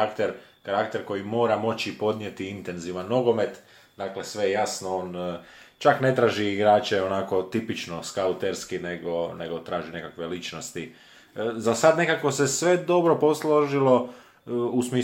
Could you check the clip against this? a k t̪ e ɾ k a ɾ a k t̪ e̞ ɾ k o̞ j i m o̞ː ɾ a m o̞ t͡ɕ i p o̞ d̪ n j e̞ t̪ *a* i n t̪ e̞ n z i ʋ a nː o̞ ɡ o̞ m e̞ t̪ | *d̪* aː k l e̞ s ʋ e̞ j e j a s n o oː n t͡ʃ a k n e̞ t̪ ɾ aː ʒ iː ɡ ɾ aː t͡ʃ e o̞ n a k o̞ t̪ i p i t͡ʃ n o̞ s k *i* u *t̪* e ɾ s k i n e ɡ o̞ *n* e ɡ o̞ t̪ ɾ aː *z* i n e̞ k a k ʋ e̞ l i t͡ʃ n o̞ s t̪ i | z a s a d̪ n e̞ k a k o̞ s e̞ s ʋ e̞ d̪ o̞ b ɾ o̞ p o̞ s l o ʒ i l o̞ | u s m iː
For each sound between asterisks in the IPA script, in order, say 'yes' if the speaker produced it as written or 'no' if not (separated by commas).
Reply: no, yes, no, yes, yes, no